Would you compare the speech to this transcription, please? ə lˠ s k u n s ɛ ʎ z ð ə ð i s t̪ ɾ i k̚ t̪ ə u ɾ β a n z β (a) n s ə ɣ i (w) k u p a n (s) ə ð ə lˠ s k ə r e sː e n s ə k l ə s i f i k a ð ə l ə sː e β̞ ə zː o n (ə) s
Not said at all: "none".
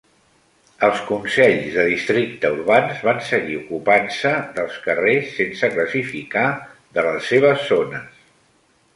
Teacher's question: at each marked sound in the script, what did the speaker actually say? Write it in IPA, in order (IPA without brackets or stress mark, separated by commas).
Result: a, u, s, ə